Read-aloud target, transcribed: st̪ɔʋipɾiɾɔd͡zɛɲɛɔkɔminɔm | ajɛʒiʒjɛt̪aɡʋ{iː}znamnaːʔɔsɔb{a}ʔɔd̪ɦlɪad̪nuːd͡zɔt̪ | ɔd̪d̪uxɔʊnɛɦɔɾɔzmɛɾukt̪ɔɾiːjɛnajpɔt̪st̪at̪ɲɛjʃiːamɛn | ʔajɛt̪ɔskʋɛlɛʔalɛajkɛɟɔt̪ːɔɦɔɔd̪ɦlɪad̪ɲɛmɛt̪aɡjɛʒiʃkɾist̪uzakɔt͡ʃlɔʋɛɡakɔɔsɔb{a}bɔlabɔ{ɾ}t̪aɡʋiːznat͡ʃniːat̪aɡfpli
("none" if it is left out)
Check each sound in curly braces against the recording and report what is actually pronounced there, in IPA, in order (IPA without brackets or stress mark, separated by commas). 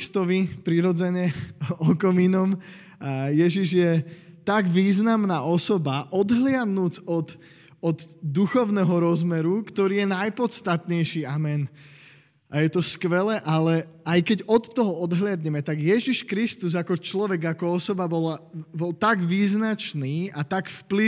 iː, a, a, l